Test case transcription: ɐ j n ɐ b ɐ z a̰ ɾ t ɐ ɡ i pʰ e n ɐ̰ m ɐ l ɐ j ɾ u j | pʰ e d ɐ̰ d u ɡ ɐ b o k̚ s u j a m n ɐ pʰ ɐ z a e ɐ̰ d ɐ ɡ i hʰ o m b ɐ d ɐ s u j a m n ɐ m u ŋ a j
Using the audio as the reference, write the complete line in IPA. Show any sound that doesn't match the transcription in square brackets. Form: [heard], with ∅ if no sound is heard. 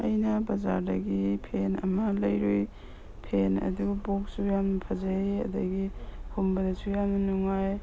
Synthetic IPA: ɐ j n ɐ b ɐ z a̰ ɾ [d] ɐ ɡ i pʰ e n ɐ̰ m ɐ l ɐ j ɾ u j | pʰ e [n] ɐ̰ d u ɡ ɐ b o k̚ s u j a m n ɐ pʰ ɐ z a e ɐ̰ d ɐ ɡ i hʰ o m b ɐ d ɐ s u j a m n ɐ [n] u ŋ a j